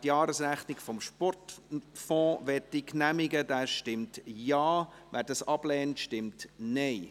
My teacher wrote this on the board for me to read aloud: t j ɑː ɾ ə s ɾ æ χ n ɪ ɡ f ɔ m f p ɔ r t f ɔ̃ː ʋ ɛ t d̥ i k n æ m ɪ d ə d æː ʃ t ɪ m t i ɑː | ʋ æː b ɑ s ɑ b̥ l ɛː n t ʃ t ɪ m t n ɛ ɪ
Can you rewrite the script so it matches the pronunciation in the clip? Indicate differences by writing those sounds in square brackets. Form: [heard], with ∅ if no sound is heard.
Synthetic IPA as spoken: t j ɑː ɾ ə s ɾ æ χ n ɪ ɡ f ɔ m [ʃ] p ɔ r t f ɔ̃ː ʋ ɛ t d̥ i k n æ m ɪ [ɡ] ə d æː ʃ t ɪ m t [j] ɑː | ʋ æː [d] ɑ s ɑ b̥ l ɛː n t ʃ t ɪ m t n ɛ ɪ